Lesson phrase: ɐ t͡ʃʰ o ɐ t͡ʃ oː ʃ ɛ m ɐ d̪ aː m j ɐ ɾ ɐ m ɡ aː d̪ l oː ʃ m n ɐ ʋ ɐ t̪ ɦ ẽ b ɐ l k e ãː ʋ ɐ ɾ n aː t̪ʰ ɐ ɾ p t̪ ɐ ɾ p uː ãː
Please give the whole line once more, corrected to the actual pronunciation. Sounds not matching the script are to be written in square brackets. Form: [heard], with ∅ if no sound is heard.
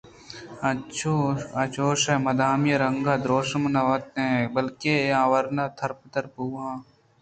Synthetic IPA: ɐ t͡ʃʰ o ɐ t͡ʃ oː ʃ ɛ m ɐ d̪ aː m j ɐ ɾ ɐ [ŋ] ɡ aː d̪ [ɾ] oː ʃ m n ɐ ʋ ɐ t̪ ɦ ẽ b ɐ l k e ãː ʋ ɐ ɾ n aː t̪ʰ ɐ ɾ p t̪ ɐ ɾ p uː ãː